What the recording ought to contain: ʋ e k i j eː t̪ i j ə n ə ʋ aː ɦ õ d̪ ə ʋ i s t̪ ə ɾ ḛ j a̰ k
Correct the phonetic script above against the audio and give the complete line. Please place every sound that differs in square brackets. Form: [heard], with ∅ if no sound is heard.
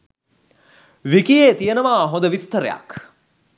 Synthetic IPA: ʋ [i] k i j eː t̪ i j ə n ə ʋ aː ɦ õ d̪ ə ʋ i s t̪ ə ɾ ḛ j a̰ k